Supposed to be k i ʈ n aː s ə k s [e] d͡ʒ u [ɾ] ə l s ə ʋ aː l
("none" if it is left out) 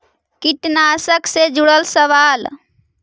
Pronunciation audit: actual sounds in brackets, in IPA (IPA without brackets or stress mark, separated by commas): e, ɽ